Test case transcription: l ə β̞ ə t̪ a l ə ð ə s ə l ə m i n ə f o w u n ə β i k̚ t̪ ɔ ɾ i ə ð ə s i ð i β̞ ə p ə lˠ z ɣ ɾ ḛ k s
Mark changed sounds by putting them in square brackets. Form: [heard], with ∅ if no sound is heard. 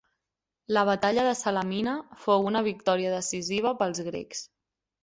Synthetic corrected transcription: l ə β̞ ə t̪ a [ʎ] ə ð ə s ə l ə m i n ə f o w u n ə β i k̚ t̪ ɔ ɾ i ə ð ə s i [z] i β̞ ə p ə lˠ z ɣ ɾ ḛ k s